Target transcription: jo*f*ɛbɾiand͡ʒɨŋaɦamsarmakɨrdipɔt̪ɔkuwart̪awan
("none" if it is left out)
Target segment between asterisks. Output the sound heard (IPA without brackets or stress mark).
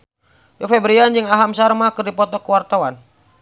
f